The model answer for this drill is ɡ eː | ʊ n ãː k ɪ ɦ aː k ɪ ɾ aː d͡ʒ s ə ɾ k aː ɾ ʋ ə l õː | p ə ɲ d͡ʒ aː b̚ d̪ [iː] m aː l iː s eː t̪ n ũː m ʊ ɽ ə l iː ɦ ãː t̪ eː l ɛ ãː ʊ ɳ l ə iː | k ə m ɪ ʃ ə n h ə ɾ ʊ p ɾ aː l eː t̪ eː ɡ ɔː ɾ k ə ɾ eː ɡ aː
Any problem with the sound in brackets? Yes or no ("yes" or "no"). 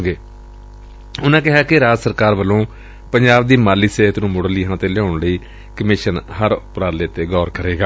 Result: no